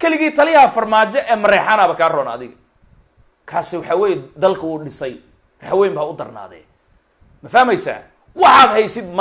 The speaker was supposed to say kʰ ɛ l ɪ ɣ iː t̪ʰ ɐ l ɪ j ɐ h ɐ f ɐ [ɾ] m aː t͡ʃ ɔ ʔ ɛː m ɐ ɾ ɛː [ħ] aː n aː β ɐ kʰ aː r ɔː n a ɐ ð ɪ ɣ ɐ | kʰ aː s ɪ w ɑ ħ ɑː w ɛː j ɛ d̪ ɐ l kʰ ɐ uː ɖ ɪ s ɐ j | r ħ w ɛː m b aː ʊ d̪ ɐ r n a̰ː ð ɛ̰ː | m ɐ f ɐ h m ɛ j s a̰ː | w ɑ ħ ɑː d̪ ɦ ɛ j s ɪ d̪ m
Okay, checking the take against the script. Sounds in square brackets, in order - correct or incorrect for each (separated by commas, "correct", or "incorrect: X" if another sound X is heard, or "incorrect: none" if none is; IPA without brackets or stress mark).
incorrect: r, correct